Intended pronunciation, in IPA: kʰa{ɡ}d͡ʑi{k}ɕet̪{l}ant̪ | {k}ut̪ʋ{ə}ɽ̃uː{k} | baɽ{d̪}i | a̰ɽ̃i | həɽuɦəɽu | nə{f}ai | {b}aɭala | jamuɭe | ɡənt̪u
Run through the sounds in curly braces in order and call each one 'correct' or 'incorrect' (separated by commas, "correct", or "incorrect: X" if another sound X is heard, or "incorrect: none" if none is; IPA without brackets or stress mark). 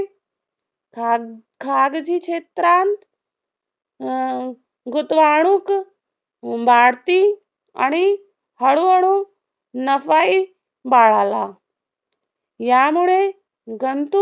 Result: correct, correct, incorrect: ɾ, incorrect: ɡ, incorrect: a, correct, incorrect: t̪, correct, correct